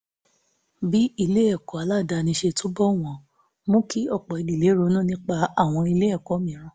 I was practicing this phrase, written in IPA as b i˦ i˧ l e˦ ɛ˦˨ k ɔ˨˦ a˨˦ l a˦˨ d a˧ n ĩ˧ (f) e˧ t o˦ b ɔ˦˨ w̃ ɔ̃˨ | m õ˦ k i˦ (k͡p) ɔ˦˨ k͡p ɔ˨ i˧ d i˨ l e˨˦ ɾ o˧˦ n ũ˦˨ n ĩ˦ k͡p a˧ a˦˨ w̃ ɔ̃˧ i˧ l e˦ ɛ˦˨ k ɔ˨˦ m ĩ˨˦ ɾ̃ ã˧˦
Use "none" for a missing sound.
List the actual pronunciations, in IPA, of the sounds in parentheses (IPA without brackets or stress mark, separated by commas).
ʃ, none